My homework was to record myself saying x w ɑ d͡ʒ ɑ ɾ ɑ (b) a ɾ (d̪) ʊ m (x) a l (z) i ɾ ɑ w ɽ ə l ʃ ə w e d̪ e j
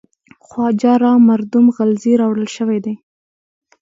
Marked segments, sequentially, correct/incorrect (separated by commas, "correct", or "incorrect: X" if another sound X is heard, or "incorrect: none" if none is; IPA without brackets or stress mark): incorrect: m, correct, incorrect: ɣ, correct